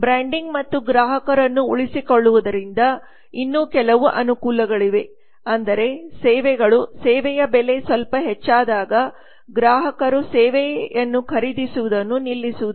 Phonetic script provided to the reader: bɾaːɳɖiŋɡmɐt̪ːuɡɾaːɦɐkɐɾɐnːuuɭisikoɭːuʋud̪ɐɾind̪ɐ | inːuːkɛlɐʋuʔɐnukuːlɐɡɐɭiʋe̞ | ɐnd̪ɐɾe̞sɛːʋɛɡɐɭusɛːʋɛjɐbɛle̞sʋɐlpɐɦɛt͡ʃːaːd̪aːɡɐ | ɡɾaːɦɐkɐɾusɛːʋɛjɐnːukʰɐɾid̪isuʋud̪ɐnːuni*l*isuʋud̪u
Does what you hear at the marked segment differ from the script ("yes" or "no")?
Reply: yes